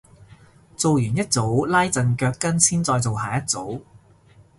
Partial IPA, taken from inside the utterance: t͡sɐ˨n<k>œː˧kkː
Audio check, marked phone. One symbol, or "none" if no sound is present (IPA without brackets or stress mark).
k